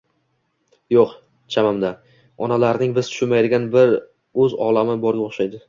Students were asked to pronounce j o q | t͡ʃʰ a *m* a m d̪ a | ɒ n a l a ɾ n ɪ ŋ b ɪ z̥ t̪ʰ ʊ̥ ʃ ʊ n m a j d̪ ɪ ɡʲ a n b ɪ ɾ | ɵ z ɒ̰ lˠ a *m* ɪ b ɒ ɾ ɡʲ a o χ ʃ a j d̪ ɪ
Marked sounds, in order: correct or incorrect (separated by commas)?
correct, correct